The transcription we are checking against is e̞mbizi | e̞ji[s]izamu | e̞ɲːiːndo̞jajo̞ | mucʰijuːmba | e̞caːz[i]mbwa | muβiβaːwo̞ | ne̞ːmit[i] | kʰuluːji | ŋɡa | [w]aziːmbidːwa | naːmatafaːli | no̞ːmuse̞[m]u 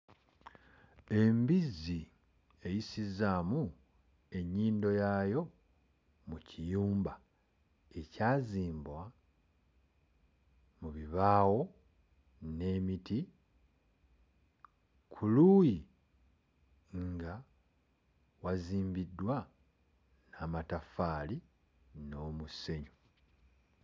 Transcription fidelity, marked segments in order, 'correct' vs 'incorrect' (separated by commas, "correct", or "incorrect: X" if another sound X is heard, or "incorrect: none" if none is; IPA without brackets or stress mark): correct, incorrect: iː, correct, correct, incorrect: ɲ